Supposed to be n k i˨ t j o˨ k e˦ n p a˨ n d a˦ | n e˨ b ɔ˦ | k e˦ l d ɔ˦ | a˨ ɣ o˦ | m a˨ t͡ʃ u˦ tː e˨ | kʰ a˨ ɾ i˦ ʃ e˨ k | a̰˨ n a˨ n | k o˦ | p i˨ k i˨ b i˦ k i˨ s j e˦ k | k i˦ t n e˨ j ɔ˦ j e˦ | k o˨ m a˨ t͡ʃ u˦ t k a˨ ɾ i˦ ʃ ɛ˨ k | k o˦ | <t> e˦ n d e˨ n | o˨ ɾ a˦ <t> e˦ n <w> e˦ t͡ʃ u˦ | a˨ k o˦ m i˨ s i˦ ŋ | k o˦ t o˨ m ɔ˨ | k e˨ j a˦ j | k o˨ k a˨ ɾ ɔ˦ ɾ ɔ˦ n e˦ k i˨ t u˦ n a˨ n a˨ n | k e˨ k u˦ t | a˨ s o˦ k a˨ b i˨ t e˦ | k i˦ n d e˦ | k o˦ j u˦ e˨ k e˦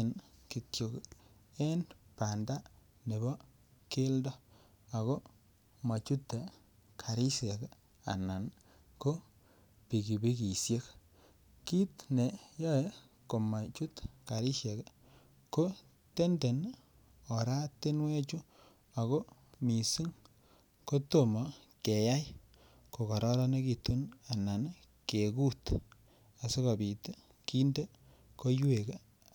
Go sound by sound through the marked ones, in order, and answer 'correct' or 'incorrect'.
correct, correct, correct

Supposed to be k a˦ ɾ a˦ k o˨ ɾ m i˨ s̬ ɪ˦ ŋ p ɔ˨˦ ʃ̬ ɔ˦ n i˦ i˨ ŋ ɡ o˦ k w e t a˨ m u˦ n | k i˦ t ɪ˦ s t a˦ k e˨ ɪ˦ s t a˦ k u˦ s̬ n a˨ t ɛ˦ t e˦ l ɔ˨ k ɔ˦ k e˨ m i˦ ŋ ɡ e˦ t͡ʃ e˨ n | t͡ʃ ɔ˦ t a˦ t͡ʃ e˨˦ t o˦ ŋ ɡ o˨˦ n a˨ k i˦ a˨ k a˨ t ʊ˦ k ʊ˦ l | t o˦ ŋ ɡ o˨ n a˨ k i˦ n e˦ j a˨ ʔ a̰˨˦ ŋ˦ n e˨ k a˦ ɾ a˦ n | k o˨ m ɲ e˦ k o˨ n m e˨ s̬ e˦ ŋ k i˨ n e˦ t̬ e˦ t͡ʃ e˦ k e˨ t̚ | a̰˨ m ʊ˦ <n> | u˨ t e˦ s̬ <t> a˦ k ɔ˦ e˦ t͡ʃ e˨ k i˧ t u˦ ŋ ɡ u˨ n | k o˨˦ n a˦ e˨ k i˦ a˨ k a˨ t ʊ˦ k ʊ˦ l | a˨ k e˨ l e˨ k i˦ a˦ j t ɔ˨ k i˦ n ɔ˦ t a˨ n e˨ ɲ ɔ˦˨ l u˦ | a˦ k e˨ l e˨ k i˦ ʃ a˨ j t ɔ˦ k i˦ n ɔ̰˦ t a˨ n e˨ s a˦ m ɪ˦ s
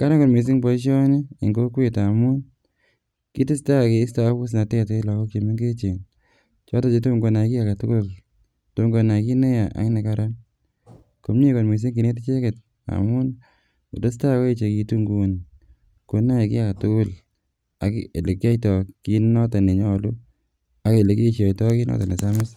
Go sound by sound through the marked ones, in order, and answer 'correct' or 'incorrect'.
correct, correct

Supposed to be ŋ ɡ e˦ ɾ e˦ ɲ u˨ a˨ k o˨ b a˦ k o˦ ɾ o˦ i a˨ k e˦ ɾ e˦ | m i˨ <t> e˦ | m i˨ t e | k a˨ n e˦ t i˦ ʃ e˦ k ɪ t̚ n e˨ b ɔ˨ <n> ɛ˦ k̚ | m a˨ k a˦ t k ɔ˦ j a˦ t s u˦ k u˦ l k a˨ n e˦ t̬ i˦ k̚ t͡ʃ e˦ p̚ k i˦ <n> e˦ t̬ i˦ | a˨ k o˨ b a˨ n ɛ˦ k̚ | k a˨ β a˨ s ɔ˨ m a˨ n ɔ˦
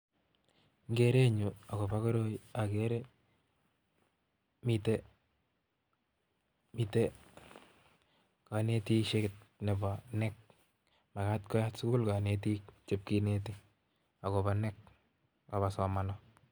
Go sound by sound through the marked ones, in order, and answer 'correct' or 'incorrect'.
correct, correct, correct

